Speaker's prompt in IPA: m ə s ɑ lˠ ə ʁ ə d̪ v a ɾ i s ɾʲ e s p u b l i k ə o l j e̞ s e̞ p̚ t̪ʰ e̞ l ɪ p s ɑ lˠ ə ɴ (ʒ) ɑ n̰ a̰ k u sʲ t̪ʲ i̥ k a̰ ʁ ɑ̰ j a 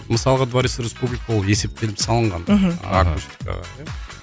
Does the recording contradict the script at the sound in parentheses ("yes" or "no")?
yes